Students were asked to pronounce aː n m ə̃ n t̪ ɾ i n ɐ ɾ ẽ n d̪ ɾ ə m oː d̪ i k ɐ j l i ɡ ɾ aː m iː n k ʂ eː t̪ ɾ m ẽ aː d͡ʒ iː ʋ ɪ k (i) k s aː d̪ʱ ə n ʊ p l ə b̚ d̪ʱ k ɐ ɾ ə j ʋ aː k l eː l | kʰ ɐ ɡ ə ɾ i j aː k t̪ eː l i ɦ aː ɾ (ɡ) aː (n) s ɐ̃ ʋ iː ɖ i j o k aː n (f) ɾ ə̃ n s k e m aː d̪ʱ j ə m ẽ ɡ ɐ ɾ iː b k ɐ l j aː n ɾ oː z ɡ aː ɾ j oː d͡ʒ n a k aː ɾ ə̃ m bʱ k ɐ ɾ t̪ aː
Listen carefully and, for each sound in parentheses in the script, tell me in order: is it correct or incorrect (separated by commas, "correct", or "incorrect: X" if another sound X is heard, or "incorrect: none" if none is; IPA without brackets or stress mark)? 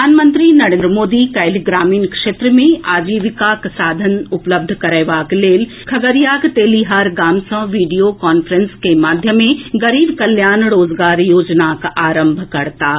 incorrect: a, correct, incorrect: m, correct